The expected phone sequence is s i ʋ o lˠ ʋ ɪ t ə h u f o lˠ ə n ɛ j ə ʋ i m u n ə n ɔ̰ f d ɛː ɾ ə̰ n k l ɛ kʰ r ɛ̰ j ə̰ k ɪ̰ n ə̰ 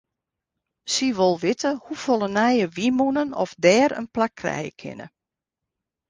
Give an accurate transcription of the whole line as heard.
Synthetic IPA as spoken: s i ʋ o lˠ ʋ ɪ t ə h u f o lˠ ə n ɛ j ə ʋ i m u n ə n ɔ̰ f d ɛː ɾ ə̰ n p l a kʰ r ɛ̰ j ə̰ kʰ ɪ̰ n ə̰